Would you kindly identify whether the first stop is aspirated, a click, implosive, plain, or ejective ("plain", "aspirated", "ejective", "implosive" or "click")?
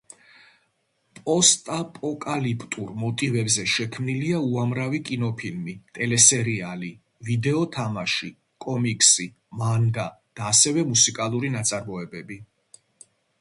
ejective